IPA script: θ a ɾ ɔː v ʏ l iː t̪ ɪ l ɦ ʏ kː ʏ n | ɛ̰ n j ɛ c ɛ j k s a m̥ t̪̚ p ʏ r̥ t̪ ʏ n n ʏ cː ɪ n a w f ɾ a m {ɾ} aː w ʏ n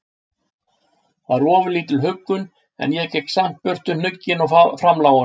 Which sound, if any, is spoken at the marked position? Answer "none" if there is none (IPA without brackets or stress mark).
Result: l